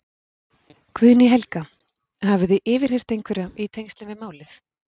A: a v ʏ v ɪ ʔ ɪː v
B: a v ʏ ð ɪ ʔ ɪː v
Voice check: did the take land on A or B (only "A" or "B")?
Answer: B